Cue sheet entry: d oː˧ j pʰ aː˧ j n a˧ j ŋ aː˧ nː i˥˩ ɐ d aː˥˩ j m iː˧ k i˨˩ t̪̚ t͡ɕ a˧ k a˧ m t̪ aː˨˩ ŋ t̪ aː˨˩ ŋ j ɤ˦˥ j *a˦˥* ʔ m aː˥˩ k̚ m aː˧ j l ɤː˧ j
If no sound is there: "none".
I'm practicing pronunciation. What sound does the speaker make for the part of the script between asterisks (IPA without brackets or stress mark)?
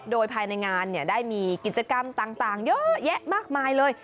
ɛ˦˥